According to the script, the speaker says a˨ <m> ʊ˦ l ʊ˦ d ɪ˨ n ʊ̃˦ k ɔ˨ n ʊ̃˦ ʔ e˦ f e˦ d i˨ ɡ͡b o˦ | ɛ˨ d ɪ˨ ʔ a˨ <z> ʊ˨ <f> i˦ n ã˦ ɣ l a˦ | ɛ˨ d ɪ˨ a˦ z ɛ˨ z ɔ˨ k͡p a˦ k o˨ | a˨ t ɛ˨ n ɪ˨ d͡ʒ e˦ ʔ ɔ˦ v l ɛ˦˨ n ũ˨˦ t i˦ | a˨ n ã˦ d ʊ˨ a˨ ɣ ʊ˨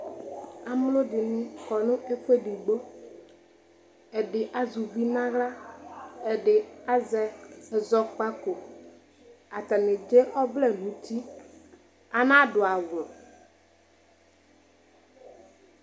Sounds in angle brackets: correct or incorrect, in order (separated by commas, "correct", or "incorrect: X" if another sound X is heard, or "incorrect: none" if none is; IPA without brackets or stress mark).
correct, correct, incorrect: v